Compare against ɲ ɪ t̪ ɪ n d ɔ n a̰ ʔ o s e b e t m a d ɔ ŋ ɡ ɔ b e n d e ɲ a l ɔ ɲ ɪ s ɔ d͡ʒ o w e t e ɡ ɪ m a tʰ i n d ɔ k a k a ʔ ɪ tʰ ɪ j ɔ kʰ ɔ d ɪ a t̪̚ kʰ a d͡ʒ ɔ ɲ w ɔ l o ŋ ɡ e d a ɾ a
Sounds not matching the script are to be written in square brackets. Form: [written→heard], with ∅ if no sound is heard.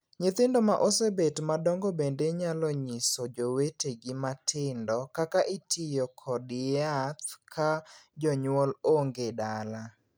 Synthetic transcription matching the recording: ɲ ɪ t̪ ɪ n d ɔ [n→m] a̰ ʔ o s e b e t m a d ɔ ŋ ɡ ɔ b e n d e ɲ a l ɔ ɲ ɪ s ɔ d͡ʒ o w e t e ɡ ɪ m a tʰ [i→ɪ] n d ɔ k a k a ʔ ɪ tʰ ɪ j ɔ kʰ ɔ d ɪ a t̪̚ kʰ a d͡ʒ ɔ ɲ w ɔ l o ŋ ɡ e d a [ɾ→l] a